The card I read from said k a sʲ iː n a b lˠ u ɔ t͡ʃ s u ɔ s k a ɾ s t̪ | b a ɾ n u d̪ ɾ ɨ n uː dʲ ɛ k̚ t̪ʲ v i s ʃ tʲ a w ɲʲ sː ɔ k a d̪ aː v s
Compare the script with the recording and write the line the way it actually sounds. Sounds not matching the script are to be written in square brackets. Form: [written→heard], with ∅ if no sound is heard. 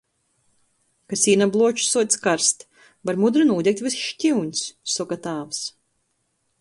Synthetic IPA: k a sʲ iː n a b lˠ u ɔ t͡ʃ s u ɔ s k a ɾ s t̪ | b a ɾ [n→m] u d̪ ɾ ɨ n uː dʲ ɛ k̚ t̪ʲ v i s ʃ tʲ [a→i] w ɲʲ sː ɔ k a [d̪→t̪] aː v s